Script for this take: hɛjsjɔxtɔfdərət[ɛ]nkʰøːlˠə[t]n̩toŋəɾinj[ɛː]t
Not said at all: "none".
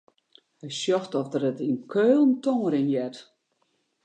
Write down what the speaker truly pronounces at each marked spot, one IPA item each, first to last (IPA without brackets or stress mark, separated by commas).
i, none, ɛ